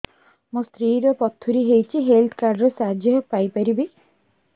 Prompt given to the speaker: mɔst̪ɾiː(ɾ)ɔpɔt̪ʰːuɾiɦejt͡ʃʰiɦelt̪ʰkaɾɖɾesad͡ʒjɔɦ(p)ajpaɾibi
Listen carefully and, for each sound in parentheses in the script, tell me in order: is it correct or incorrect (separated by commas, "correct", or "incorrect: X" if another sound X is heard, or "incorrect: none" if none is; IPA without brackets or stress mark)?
correct, correct